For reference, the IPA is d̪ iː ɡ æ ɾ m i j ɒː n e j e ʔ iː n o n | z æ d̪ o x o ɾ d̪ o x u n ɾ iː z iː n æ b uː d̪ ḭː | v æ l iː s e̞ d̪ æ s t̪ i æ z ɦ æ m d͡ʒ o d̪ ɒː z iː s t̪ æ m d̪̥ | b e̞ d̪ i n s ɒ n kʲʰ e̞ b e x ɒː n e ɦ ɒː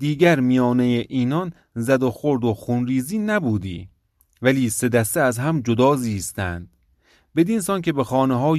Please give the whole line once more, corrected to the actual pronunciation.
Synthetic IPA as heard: d̪ iː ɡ æ ɾ m i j ɒː n e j e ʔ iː n ɒ n | z æ d̪ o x o ɾ d̪ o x u n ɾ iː z iː n æ b uː d̪ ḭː | v æ l iː s e̞ d̪ æ s t̪ e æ z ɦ æ m d͡ʒ o d̪ ɒː z iː s t̪ æ n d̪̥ | b e̞ d̪ i n s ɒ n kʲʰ e̞ b e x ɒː n e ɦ ɒː